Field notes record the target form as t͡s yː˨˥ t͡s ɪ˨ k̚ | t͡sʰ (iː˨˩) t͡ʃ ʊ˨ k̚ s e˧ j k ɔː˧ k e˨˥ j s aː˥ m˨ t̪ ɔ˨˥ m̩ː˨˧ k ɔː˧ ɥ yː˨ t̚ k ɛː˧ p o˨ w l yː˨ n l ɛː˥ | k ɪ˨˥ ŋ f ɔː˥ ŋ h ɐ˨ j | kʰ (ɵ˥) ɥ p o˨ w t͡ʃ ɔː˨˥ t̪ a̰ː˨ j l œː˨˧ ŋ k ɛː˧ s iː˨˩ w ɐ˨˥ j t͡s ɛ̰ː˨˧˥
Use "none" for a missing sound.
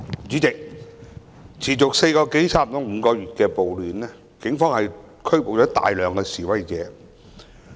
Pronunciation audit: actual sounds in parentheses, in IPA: iː˨˩, ɵ˥

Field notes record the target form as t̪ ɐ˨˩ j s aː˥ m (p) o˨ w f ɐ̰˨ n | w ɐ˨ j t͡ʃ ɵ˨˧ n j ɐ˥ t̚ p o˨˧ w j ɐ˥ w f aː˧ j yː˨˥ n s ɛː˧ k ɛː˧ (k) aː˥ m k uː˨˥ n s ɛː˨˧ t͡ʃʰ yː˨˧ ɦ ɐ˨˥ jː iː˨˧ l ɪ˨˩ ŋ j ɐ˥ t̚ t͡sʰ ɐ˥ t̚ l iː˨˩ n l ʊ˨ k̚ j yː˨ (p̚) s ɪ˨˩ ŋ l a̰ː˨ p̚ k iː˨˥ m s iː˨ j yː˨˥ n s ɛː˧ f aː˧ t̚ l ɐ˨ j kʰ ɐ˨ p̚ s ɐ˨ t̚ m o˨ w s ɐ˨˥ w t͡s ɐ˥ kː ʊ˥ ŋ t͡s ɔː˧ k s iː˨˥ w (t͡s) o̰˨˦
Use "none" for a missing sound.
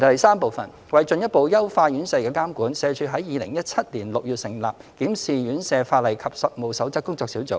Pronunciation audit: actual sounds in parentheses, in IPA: p, k, t̚, t͡s

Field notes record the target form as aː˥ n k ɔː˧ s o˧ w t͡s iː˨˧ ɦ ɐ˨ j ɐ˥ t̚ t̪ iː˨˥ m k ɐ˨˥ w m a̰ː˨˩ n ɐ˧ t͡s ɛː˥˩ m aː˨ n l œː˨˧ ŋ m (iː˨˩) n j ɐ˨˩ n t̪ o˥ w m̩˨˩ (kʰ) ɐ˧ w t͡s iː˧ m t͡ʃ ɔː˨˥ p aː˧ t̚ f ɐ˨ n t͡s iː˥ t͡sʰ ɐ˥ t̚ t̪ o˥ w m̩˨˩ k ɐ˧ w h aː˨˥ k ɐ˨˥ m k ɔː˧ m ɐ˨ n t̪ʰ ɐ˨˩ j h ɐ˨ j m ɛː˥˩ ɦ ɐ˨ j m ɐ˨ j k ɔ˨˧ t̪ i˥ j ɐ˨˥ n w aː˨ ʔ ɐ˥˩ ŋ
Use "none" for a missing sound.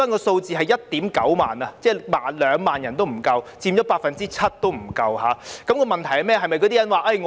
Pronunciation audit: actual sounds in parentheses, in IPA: aː˨˩, k

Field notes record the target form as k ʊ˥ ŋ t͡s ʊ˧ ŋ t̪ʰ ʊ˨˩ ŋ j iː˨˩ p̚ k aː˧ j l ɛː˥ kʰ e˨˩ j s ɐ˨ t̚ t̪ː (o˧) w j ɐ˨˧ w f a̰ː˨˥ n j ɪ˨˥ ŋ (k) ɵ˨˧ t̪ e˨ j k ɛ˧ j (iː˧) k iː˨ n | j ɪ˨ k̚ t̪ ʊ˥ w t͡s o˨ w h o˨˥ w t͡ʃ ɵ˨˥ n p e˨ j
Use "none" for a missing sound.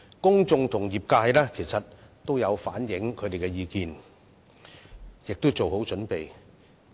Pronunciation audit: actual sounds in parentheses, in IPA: o˥, kʰ, iː˧

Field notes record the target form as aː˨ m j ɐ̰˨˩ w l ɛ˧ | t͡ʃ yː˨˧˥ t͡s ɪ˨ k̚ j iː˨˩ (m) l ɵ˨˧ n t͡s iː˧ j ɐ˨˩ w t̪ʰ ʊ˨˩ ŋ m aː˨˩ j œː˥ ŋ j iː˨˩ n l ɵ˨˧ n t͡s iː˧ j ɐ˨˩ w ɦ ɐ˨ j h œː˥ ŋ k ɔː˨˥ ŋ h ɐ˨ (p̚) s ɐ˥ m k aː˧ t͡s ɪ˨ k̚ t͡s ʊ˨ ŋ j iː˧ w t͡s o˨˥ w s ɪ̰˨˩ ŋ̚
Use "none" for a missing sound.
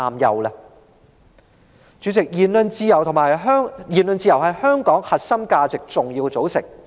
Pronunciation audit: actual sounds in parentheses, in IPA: n, t̚

